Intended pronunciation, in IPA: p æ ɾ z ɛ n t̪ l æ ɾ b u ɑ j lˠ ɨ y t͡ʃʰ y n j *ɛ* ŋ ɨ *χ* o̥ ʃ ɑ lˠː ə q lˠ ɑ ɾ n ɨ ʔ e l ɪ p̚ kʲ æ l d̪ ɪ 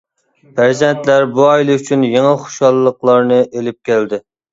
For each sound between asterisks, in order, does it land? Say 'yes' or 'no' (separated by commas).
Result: no, yes